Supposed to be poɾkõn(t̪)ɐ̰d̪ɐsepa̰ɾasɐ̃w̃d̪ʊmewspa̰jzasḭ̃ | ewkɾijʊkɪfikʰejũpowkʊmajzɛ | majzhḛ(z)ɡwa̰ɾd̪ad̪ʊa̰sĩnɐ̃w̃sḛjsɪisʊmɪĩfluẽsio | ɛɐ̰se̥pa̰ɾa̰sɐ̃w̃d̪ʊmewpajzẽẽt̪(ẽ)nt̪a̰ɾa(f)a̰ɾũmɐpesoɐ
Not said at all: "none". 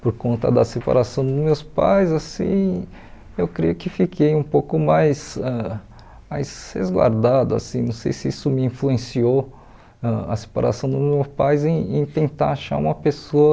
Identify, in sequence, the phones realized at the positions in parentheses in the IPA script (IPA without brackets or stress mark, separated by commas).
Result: t̪, z, ẽ, ʃ